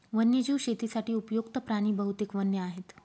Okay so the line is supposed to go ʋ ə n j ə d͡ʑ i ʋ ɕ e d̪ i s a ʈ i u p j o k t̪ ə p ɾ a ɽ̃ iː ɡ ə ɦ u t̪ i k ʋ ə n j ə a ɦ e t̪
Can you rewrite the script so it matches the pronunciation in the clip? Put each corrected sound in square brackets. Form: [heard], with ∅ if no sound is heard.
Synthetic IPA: ʋ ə n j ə d͡ʑ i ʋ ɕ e [t̪] i s a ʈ [iː] u p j o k t̪ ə p ɾ a ɽ̃ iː [b] ə ɦ u t̪ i k ʋ ə n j ə a ɦ e t̪